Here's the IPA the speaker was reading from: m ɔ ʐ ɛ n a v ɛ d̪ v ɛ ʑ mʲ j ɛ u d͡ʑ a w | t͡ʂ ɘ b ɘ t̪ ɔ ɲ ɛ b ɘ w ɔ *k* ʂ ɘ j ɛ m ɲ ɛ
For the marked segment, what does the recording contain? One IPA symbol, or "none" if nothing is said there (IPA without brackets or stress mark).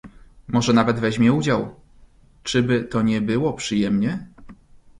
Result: p